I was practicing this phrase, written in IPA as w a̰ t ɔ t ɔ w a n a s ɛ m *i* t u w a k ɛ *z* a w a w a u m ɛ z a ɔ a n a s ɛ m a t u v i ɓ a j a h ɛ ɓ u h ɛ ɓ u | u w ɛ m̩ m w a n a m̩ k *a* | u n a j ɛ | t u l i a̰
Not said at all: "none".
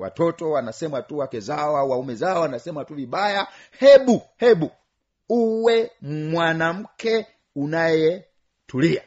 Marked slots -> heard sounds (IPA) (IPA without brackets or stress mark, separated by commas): a, z, ɛ